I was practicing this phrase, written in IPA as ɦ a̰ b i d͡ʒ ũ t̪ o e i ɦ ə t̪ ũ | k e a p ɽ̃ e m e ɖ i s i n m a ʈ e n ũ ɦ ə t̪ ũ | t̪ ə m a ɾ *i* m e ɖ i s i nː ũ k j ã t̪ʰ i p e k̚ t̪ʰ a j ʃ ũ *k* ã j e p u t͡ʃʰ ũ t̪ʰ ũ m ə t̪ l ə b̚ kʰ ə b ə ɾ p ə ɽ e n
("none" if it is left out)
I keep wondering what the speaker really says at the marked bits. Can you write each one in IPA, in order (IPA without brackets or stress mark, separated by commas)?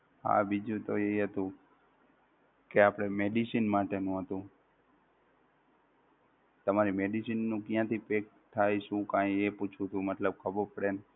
i, k